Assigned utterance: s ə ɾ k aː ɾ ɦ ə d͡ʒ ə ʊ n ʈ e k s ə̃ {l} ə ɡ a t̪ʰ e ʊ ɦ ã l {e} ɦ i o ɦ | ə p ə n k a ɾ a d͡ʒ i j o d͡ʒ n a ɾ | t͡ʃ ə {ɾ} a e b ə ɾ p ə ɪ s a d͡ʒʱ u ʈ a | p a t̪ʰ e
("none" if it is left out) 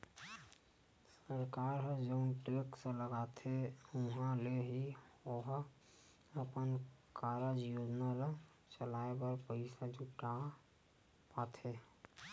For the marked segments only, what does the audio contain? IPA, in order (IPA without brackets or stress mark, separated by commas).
l, e, l